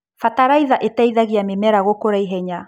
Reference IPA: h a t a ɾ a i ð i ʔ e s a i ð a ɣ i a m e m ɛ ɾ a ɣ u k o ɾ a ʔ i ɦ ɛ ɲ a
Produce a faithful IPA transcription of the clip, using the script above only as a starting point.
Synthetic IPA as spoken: f a t a ɾ a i ð a ʔ e t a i ð a ɣ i a m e m ɛ ɾ a ɣ o k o ɾ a i ɦ ɛ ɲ a